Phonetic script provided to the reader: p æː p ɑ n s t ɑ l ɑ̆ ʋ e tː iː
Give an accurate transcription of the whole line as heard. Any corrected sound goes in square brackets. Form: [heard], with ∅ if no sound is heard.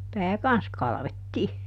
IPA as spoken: p æː [k] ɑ n s [k] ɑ l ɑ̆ ʋ e tː iː